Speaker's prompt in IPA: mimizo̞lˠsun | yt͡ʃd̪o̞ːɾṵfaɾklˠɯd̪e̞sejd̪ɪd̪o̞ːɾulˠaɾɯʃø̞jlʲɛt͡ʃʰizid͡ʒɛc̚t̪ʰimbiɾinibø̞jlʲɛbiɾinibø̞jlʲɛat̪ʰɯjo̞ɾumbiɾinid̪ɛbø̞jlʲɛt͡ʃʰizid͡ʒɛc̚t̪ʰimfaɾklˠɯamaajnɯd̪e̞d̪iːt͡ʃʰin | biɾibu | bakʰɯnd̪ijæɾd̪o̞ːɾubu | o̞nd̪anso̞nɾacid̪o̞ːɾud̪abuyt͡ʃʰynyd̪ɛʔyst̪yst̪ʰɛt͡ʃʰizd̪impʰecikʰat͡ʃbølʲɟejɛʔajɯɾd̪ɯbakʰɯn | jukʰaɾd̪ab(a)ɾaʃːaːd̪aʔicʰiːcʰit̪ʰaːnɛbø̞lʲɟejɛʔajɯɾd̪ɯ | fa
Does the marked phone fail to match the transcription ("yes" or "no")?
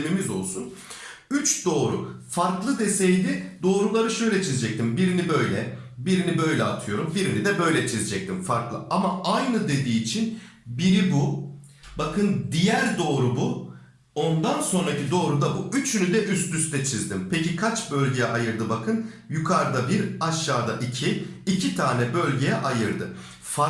yes